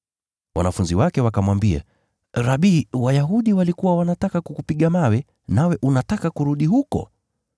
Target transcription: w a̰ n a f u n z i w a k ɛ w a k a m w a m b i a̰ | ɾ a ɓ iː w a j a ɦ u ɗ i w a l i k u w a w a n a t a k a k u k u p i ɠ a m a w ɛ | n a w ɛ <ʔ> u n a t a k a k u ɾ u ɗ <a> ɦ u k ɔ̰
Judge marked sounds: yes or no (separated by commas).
yes, no